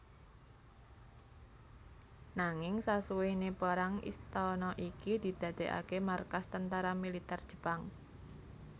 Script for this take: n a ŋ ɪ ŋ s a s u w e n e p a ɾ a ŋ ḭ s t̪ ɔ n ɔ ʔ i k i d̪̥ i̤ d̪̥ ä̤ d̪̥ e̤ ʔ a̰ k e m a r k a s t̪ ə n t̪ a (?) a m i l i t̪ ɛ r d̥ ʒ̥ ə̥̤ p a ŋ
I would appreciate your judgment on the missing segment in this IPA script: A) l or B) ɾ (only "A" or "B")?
B